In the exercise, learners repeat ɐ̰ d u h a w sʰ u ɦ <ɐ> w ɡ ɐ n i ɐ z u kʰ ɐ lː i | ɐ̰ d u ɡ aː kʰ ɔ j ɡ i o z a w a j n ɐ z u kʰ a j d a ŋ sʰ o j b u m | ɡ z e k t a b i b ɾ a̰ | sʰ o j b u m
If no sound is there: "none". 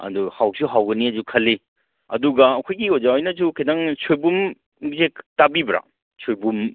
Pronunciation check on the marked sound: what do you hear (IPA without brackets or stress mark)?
a